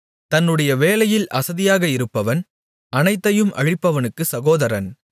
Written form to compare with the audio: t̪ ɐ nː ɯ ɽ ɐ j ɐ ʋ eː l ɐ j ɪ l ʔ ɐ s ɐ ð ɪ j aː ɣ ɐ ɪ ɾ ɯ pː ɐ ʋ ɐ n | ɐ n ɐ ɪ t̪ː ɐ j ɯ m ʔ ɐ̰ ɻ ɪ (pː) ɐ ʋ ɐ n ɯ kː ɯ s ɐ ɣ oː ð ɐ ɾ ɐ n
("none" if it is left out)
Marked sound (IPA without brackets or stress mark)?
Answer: pː